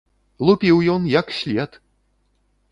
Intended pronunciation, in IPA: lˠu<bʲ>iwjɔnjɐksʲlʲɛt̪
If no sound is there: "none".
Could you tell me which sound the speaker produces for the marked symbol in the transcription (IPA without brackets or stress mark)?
pʲ